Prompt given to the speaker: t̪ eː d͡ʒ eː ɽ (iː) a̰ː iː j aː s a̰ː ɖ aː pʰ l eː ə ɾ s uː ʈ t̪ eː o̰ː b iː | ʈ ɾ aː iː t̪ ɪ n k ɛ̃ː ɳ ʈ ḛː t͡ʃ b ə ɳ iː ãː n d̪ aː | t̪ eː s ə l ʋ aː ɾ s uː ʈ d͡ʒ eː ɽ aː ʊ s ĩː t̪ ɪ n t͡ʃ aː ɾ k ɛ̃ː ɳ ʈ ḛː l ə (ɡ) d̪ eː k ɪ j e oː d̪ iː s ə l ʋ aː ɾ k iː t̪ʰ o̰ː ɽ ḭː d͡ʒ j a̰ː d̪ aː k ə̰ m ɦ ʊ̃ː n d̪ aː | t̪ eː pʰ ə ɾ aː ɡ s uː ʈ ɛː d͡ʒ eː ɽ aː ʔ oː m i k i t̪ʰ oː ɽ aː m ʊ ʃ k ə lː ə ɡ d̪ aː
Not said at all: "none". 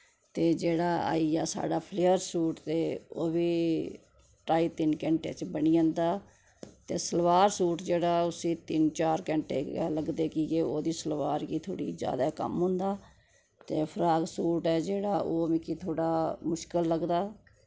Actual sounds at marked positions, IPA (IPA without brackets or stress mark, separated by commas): aː, ɡ